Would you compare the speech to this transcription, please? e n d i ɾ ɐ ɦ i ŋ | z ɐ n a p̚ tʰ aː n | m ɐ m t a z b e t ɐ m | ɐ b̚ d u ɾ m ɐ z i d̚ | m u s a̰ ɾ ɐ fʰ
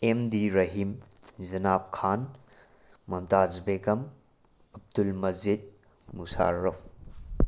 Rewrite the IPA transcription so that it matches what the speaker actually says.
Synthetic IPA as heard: e m d i ɾ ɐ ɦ i m | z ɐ n a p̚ kʰ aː n | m ɐ m t a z b e k ɐ m | ɐ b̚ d u l m ɐ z i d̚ | m u s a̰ ɾ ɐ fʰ